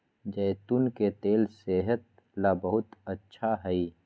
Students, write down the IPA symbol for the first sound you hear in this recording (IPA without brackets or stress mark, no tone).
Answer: d͡ʒ